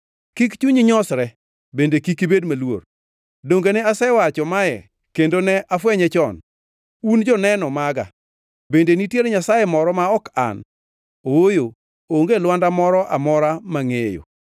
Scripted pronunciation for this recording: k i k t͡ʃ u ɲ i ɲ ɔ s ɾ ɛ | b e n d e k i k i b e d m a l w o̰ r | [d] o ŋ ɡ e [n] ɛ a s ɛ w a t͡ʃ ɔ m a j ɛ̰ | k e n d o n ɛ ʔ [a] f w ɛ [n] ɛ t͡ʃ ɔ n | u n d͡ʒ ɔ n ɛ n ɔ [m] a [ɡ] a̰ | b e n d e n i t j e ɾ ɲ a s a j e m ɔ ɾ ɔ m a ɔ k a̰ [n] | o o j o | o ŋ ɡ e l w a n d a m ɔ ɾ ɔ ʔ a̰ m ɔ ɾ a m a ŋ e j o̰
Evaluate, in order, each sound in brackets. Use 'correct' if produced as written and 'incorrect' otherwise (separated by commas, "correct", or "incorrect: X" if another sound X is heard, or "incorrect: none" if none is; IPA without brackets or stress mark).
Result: correct, correct, correct, incorrect: ɲ, correct, correct, correct